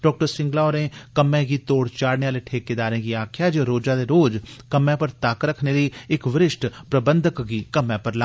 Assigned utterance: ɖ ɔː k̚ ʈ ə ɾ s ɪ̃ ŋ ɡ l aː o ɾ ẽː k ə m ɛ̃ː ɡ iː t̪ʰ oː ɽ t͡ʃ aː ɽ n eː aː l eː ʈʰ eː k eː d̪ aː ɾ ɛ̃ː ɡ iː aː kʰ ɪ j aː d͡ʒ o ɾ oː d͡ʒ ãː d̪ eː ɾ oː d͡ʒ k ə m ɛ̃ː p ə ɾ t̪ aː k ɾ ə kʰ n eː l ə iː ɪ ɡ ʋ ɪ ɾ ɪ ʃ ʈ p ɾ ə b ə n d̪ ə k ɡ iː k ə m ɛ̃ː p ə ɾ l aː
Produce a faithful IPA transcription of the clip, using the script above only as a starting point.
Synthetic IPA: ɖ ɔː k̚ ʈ ə ɾ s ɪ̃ ŋ ɡ l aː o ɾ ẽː k ə m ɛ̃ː ɡ iː t̪ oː ɽ t͡ʃ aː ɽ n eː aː l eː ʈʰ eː k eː d̪ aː ɾ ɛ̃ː ɡ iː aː kʰ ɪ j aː d͡ʒ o ɾ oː d͡ʒ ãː d̪ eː ɾ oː d͡ʒ k ə m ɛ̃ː p ə ɾ t̪ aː k ɾ ə kʰ n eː l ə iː ɪ k ʋ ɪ ɾ ɪ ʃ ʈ p ɾ ə b ə n d̪ ə k ɡ iː k ə m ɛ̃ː p ə ɾ l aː